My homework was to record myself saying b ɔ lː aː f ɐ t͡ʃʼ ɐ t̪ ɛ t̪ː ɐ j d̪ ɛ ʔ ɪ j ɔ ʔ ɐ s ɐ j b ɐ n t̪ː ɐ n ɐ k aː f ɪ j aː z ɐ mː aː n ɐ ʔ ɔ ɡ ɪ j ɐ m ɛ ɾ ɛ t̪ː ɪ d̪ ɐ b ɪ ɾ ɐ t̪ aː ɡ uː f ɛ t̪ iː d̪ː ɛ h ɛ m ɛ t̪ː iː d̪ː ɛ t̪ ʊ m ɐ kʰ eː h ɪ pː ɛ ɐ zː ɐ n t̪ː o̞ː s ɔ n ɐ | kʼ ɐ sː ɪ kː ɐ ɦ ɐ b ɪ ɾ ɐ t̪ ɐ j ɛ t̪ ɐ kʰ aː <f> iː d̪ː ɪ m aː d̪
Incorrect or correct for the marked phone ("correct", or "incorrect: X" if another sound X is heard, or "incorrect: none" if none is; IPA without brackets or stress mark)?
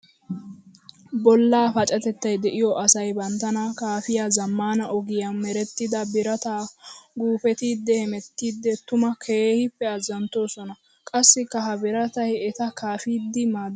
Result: correct